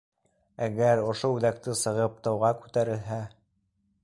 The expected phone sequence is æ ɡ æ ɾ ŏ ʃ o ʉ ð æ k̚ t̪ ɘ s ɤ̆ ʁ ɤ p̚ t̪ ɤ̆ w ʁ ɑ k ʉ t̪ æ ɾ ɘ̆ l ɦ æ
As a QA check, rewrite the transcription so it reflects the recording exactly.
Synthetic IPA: æ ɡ æ ɾ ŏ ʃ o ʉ ð æ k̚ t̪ ɘ s ɤ̆ ʁ ɤ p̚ t̪ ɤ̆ w ʁ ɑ k ʉ t̪ æ ɾ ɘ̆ l ɦ æ